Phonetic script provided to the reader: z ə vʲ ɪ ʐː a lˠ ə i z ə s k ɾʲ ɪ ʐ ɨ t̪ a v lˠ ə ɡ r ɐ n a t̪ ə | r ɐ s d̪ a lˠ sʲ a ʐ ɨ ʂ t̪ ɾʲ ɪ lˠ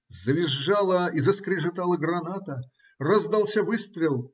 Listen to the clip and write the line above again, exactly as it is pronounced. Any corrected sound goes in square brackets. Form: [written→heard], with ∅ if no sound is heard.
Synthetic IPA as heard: z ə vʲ ɪ ʐː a lˠ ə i z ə s k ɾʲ ɪ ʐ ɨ t̪ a [v→∅] lˠ ə ɡ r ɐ n a t̪ ə | r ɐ [s→z] d̪ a lˠ sʲ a [ʐ→v] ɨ [ʂ→s] t̪ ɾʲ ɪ lˠ